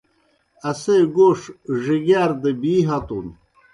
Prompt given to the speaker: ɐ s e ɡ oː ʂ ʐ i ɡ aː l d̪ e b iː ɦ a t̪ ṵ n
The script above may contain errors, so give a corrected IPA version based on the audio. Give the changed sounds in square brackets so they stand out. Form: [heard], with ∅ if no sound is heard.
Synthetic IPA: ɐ s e ɡ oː ʂ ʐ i ɡ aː [ɾ] d̪ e b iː ɦ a t̪ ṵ n